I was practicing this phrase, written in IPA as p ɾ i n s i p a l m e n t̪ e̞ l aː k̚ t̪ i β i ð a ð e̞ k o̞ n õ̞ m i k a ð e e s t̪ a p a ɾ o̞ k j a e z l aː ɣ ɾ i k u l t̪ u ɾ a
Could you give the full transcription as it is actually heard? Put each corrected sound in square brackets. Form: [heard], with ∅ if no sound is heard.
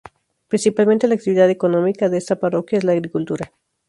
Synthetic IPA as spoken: p ɾ i n s i p a l m e n t̪ e̞ l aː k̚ t̪ i β i ð a ð e̞ k o̞ n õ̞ m i k a ð e e s t̪ a p a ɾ o̞ k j a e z l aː ɣ ɾ i k u l t̪ u ɾ a